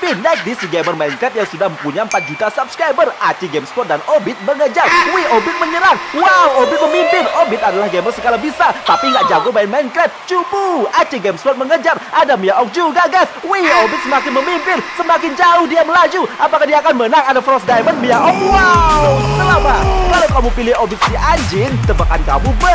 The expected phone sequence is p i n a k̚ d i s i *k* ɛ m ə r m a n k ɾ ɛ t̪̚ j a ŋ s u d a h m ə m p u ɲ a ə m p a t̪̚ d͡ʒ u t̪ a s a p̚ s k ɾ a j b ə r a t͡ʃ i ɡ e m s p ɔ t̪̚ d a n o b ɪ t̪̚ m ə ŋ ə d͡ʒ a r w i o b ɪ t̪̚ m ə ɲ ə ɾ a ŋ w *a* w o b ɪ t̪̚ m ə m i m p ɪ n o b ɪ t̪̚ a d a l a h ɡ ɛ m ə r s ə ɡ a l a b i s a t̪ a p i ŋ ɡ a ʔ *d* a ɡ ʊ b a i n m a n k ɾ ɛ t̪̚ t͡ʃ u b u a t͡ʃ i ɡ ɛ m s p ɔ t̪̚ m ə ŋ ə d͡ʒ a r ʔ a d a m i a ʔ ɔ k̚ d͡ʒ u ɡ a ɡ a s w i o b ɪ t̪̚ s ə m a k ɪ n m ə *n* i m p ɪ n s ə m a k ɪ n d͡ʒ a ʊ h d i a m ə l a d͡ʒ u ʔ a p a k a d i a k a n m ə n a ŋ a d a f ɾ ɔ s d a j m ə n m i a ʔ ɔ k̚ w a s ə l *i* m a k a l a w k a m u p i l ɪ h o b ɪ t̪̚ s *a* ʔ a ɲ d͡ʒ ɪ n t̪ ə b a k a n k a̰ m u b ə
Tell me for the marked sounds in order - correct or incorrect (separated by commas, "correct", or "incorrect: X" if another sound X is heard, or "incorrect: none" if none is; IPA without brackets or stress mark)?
incorrect: ɡ, correct, incorrect: d͡ʒ, incorrect: m, incorrect: a, incorrect: i